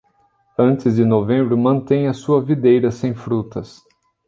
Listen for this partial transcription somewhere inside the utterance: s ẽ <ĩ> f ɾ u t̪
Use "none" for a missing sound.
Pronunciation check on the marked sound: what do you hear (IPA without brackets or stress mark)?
j̃